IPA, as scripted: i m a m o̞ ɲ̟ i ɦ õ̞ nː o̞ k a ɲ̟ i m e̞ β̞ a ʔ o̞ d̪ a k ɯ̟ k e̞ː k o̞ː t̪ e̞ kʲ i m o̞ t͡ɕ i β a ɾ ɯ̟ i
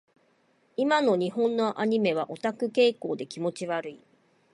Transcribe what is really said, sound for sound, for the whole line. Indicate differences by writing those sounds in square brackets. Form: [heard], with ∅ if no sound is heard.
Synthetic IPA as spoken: i m a [n] o̞ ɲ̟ i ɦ õ̞ nː o̞ [ʔ] a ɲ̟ i m e̞ β̞ a ʔ o̞ [t̪] a k ɯ̟ k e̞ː k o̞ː [d̪] e̞ kʲ i m o̞ t͡ɕ i β a ɾ ɯ̟ i